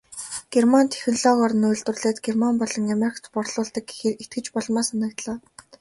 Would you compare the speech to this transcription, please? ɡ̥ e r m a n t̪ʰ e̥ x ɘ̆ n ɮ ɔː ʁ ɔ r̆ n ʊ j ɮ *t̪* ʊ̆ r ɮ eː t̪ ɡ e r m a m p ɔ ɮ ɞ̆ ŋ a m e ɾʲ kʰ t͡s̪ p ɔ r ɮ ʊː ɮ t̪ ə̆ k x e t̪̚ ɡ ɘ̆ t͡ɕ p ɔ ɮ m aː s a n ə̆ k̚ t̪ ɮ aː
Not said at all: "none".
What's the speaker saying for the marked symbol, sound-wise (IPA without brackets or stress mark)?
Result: t̪